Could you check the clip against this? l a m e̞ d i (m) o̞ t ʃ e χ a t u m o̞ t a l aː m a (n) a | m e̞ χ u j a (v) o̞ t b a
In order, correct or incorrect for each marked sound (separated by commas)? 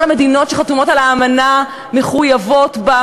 incorrect, correct, correct